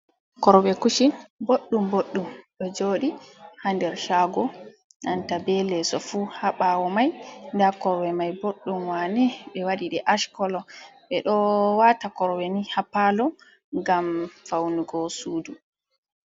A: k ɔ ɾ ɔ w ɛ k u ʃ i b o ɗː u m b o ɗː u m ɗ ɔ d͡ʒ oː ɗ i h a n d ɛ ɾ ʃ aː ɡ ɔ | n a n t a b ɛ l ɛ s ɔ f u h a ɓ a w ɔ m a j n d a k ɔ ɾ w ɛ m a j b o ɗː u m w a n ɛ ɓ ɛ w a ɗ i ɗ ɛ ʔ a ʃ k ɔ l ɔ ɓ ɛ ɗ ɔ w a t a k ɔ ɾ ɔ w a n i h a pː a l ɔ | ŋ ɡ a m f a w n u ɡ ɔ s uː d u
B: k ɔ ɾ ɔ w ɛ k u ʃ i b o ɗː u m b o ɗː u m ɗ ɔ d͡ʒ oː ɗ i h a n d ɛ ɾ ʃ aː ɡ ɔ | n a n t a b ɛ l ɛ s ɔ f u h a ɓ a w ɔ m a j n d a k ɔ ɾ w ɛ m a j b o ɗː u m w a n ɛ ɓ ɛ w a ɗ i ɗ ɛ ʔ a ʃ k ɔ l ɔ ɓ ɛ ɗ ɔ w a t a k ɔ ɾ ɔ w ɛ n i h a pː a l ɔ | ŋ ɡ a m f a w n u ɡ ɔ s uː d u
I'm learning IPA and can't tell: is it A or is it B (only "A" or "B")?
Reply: B